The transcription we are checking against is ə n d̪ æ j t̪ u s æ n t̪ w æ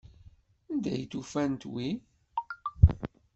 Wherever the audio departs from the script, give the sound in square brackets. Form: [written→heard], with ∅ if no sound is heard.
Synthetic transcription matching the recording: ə n d̪ æ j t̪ u [s→f] æ n t̪ w [æ→i]